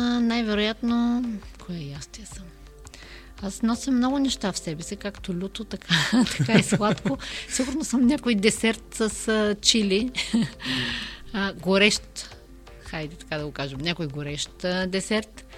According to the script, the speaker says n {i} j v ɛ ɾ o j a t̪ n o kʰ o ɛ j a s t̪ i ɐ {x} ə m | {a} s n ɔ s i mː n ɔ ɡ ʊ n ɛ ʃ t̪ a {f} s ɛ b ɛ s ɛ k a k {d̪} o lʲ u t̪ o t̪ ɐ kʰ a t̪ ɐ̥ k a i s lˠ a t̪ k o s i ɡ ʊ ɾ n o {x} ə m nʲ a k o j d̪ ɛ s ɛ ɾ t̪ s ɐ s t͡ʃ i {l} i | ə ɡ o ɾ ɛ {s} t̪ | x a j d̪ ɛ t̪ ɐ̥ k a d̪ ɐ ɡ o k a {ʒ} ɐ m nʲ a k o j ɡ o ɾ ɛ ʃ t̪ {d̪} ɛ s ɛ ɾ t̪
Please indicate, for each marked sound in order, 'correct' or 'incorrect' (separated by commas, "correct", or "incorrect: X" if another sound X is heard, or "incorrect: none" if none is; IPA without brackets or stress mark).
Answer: incorrect: a, incorrect: s, correct, correct, incorrect: t̪, incorrect: s, correct, incorrect: ʃ, correct, correct